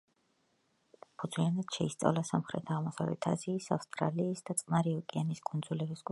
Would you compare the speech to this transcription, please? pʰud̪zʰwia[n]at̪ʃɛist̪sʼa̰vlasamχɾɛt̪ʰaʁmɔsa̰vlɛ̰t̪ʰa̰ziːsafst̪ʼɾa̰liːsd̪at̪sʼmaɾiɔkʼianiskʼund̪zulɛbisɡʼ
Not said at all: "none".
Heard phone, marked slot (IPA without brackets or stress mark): n